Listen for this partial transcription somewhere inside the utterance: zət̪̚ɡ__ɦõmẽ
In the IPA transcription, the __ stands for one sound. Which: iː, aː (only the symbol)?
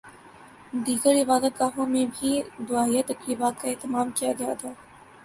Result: aː